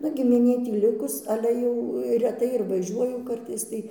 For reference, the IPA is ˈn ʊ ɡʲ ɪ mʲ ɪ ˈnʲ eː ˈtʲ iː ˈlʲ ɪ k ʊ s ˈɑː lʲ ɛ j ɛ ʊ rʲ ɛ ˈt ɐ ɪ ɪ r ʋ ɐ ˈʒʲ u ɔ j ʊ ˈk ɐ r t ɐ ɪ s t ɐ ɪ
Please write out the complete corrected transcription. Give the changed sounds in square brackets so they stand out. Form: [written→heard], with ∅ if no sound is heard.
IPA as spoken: ˈn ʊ ɡʲ ɪ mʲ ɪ ˈnʲ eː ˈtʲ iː ˈlʲ ɪ k ʊ s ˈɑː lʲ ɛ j ɛ ʊ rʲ ɛ ˈt ɐ ɪ ɪ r ʋ ɐ ˈʒʲ u ɔ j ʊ ˈk ɐ r t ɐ ɪ s t ɐ ɪ